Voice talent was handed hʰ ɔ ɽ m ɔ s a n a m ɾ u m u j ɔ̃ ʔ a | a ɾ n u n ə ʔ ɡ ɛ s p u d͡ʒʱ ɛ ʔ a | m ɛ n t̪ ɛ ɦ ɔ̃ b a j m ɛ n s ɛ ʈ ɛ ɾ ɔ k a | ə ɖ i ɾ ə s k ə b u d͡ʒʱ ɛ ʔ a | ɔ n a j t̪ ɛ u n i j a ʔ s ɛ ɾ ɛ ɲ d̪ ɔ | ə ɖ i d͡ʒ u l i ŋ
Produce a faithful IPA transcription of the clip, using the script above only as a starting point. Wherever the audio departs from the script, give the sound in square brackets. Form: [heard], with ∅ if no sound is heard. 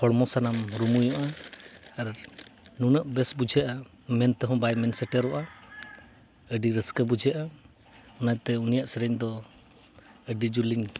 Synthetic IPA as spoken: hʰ ɔ ɽ m ɔ s a n a m ɾ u m u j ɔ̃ ʔ a | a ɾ n u n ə ʔ [b] ɛ s [b] u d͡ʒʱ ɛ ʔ a | m ɛ n t̪ ɛ ɦ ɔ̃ b a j m ɛ n s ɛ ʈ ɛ ɾ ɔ [ʔ] a | ə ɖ i ɾ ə s k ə b u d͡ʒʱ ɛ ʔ a | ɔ n a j t̪ ɛ u n i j a ʔ s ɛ ɾ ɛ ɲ d̪ ɔ | ə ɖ i d͡ʒ u l i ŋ

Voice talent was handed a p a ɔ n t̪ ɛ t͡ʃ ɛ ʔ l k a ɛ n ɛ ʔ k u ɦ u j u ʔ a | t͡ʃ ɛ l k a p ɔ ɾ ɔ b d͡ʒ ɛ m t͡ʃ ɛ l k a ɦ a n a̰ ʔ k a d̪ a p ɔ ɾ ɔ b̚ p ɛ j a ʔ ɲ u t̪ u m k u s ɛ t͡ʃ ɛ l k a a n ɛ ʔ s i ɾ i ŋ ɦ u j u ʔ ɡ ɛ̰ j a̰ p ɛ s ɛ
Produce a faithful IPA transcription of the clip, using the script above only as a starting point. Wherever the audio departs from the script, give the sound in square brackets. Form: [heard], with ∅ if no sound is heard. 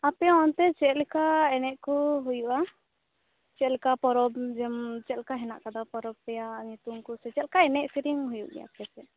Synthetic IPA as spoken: a p [ɛ] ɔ n t̪ ɛ t͡ʃ ɛ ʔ l k a ɛ n ɛ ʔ k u ɦ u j u ʔ a | t͡ʃ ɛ l k a p ɔ ɾ ɔ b d͡ʒ ɛ m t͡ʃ ɛ l k a ɦ [ɛ] n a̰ ʔ k a d̪ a p ɔ ɾ ɔ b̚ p ɛ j a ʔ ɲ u t̪ u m k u s ɛ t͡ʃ ɛ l k a [ɛ] n ɛ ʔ s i ɾ i ŋ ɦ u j u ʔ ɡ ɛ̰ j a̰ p ɛ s ɛ

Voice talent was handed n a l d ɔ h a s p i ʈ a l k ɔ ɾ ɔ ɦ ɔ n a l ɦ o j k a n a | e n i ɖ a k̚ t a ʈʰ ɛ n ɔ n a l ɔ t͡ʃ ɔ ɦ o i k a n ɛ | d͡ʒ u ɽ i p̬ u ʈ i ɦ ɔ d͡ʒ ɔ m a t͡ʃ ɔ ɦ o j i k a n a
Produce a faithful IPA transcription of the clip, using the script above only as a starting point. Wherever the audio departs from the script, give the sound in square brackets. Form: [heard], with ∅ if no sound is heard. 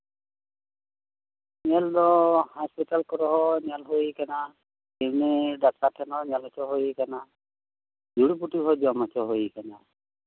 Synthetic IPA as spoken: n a l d ɔ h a s p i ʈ a l k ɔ ɾ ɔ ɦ ɔ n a l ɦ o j k a n a | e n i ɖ a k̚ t a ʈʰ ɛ n ɔ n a l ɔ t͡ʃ ɔ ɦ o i k a n [a] | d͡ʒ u ɽ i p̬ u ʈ i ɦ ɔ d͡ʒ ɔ m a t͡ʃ ɔ ɦ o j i k a n a

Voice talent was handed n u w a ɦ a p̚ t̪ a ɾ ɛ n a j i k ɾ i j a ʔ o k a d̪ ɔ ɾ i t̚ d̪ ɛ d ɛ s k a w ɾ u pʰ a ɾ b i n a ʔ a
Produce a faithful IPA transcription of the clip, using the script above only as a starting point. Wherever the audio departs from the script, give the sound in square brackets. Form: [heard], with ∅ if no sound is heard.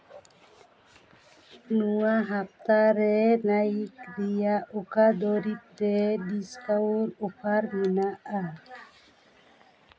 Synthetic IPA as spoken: n u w a ɦ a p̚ t̪ a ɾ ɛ n a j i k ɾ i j a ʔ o k a d̪ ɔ ɾ i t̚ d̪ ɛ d [i] s k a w ɾ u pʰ a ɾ [m] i n a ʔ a

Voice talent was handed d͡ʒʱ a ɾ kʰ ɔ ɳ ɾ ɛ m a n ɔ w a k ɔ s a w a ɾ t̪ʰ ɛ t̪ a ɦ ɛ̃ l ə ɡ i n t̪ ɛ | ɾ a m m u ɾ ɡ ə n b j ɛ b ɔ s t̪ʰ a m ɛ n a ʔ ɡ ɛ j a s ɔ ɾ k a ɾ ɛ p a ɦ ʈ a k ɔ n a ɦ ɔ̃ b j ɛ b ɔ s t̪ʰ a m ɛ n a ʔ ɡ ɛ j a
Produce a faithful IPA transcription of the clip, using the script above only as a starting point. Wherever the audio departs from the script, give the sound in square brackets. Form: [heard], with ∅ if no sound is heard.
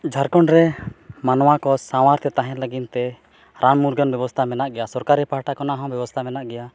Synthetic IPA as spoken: d͡ʒʱ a ɾ [k] ɔ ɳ ɾ ɛ m a n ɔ w a k ɔ s a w a ɾ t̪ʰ ɛ t̪ a ɦ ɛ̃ l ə ɡ i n t̪ ɛ | ɾ a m m u ɾ ɡ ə n b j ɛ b ɔ s t̪ʰ a m ɛ n a ʔ ɡ ɛ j a s ɔ ɾ k a ɾ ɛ p a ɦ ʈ a k ɔ n a ɦ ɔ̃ b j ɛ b ɔ s t̪ʰ a m ɛ n a ʔ ɡ ɛ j a

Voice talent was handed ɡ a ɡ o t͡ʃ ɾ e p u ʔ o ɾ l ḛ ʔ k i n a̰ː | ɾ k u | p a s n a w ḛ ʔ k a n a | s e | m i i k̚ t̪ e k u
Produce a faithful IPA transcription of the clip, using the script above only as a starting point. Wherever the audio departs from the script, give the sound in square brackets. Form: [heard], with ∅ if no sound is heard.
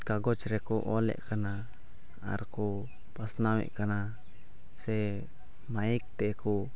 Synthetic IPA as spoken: [k] a ɡ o t͡ʃ ɾ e [k] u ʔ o [∅] l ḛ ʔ k [a] n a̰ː | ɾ k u | p a s n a w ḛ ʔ k a n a | s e | m [a] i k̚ t̪ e k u

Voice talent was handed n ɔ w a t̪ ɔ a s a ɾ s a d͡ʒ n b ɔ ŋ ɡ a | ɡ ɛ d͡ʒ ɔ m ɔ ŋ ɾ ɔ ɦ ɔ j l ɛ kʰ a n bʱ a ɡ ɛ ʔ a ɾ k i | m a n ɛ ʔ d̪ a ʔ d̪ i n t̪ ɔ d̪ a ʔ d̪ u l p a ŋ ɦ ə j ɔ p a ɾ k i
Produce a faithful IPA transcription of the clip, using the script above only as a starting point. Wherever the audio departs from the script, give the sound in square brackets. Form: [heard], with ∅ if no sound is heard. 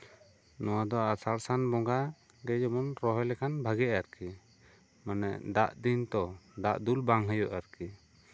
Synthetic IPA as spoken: n ɔ w a [d̪] ɔ a s a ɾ s a [∅] n b ɔ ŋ ɡ a | ɡ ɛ d͡ʒ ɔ m ɔ [n] ɾ ɔ ɦ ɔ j l ɛ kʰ a n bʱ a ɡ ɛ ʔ a ɾ k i | m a n ɛ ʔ d̪ a ʔ d̪ i n t̪ ɔ d̪ a ʔ d̪ u l [b] a ŋ ɦ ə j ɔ [ʔ] a ɾ k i

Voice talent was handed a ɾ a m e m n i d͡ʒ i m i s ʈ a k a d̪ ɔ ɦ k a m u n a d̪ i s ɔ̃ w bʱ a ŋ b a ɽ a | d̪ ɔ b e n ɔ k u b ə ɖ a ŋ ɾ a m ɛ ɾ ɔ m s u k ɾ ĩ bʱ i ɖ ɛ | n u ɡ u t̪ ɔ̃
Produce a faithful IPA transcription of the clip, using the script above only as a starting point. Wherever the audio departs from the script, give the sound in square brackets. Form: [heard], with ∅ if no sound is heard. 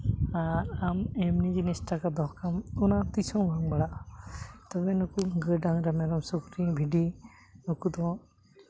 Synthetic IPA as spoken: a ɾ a m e m n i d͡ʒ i [n] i s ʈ a k a d̪ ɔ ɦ k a m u n a [t̪] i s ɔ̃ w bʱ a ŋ b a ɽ a | [t̪] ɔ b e n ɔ k u [ɡ] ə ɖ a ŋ ɾ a m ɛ ɾ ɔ m s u k ɾ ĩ bʱ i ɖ [i] | n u [k] u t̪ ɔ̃

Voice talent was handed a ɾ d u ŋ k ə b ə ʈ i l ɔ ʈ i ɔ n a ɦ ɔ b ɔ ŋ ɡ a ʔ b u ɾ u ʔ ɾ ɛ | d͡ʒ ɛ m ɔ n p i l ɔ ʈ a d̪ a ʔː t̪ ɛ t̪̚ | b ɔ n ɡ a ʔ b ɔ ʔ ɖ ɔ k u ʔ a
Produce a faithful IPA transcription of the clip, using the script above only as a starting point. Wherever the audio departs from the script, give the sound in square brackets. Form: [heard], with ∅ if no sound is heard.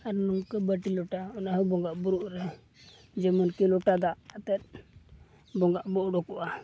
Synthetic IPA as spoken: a ɾ [n] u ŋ k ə b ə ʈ i l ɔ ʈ [a] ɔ n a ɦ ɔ b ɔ ŋ ɡ a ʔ b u ɾ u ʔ ɾ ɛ | d͡ʒ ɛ m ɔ n [k] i l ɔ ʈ a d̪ a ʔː t̪ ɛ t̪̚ | b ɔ [ŋ] ɡ a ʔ b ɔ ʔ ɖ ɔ k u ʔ a

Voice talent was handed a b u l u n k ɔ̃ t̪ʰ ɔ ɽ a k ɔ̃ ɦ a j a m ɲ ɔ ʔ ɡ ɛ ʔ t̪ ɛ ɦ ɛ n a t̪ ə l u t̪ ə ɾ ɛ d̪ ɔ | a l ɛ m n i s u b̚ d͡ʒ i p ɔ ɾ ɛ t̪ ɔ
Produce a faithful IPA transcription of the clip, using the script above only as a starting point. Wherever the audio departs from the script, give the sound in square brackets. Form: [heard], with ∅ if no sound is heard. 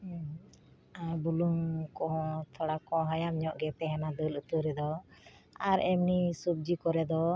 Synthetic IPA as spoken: a b u l u [ŋ] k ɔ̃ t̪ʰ ɔ ɽ a k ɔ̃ ɦ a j a m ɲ ɔ ʔ ɡ ɛ [∅] t̪ ɛ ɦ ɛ n a [d̪] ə l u t̪ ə ɾ ɛ d̪ ɔ | a [ɾ] ɛ m n i s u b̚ d͡ʒ i [k] ɔ ɾ ɛ [d̪] ɔ

